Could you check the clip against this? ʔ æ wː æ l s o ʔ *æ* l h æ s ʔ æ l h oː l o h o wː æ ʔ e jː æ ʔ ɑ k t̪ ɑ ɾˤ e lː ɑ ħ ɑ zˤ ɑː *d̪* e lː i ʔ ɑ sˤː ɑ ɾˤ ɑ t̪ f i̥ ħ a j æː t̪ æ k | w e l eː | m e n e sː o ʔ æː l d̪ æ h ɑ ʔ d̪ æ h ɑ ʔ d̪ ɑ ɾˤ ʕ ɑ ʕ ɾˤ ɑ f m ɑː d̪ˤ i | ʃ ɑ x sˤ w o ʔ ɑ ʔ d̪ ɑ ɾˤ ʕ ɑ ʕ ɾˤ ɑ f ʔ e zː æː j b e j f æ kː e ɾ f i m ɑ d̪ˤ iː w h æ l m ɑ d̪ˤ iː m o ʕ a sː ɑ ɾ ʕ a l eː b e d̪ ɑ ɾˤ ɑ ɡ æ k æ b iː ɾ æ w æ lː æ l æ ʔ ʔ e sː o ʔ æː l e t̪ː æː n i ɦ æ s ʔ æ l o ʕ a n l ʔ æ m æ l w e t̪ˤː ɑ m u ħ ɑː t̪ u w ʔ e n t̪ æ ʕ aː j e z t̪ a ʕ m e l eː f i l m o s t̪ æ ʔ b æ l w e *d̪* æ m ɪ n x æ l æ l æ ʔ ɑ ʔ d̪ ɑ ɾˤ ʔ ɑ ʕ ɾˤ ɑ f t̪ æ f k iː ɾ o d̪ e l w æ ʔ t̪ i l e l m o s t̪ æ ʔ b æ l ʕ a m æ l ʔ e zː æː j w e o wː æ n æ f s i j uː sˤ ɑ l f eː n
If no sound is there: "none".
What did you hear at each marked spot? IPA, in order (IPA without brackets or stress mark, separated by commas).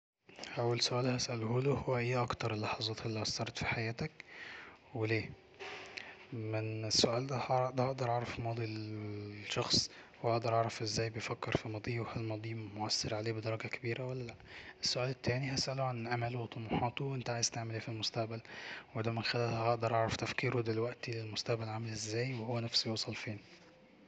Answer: æː, t̪, d̪